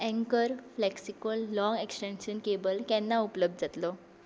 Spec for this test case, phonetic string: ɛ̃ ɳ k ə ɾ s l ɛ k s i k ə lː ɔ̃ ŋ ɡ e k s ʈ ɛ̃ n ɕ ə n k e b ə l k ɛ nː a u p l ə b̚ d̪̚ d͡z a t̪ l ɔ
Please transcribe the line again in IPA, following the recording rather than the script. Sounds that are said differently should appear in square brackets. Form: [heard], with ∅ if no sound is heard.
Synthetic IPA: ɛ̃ [ŋ] k ə ɾ [f] l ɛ k s i k ə lː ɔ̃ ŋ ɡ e k s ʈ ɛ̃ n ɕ ə n k e b ə l k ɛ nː a u p l ə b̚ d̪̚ d͡z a t̪ l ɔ